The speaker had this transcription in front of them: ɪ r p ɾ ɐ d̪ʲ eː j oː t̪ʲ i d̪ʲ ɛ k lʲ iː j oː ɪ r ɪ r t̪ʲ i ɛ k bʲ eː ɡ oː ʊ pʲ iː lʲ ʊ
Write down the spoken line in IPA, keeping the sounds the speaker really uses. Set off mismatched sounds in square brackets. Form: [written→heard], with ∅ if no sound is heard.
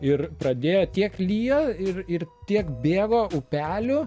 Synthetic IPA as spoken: ɪ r p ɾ ɐ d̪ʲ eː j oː t̪ʲ i [d̪ʲ→∅] ɛ k lʲ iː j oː ɪ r ɪ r t̪ʲ i ɛ k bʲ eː ɡ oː ʊ pʲ [iː→æː] lʲ ʊ